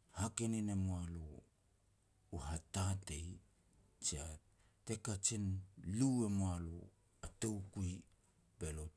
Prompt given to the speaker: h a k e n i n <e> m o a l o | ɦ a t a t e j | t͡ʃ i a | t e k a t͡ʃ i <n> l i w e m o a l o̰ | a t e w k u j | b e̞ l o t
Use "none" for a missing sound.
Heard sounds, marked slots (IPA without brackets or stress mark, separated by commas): e, n